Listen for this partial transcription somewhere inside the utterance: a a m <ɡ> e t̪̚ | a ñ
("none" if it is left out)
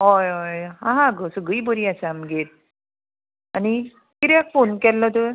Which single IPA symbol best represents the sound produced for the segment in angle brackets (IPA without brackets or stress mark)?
ɡ